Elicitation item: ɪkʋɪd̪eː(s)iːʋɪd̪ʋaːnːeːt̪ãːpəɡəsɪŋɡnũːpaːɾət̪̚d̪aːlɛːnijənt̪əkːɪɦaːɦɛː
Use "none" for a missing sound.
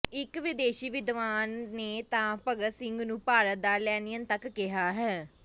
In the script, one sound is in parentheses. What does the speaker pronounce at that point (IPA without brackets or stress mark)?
ʃ